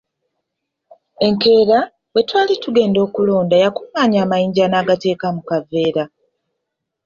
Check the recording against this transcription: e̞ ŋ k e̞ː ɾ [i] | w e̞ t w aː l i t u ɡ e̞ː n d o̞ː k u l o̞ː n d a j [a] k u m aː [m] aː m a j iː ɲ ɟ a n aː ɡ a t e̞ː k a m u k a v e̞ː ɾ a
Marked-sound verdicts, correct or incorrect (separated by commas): incorrect, correct, incorrect